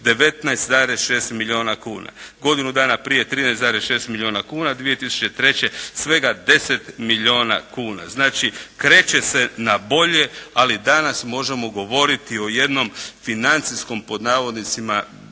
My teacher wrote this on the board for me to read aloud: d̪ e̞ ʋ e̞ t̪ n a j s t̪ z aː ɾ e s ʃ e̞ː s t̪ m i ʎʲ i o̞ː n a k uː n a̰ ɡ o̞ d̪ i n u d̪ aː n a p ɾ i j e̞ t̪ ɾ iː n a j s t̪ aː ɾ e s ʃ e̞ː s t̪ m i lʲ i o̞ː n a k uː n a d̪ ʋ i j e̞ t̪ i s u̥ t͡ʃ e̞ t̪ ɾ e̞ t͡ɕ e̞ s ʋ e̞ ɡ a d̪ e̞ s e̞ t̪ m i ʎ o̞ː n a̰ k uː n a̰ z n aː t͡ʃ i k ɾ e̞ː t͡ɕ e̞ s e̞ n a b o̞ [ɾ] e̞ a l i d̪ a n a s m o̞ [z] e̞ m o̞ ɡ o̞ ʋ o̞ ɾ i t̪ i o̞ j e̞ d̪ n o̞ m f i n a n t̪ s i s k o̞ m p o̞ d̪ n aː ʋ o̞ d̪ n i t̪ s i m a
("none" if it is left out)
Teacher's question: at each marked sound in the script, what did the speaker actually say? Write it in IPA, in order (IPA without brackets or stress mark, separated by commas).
ʎ, ʒ